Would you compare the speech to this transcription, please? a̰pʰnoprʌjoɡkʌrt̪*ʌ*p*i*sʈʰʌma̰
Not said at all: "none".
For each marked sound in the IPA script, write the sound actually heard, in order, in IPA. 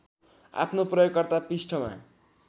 a, i

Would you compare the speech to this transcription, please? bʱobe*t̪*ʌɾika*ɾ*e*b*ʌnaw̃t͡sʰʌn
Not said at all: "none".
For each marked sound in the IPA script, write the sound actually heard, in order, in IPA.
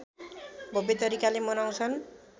t̪, l, m

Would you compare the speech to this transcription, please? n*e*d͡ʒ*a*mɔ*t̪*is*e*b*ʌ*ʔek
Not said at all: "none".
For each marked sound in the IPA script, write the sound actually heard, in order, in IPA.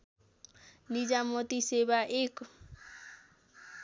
i, a, t̪, e, a

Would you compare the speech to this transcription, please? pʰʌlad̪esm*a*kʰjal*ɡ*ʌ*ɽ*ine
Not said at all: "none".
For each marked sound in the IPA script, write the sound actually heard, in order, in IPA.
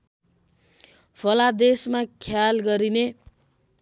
a, ɡ, ɾ

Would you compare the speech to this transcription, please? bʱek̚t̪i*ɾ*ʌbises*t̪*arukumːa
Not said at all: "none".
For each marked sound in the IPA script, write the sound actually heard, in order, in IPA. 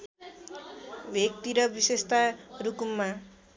ɾ, t̪

